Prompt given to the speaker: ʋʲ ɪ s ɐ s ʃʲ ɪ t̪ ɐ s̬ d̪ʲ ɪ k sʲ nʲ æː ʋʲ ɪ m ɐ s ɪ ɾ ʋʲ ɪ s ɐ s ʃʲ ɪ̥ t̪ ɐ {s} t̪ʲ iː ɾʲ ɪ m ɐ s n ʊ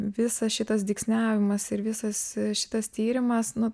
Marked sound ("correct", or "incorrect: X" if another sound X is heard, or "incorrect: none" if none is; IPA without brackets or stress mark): correct